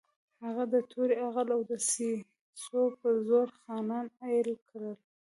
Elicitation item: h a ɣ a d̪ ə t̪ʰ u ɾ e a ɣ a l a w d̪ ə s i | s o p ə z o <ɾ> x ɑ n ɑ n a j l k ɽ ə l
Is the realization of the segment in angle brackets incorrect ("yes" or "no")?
no